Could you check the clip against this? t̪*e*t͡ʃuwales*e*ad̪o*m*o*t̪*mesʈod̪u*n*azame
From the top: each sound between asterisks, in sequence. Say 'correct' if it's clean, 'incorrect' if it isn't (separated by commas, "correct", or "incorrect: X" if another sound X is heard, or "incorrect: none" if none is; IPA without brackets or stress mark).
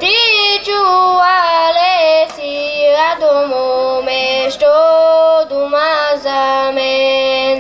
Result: incorrect: i, incorrect: i, correct, incorrect: none, incorrect: m